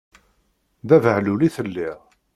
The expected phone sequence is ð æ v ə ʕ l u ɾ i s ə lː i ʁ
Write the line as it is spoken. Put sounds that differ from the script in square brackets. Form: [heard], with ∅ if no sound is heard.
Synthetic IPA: ð æ v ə ʕ l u [l] i [θ] ə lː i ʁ